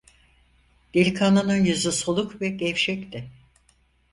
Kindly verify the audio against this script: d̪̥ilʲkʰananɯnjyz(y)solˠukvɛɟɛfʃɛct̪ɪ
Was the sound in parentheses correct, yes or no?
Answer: yes